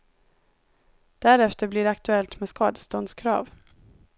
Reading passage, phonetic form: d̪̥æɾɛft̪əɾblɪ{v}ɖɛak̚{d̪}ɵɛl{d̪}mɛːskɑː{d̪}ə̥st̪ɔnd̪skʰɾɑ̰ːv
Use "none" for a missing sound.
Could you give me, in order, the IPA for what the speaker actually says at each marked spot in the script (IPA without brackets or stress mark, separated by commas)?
none, t̪, t̪, d̪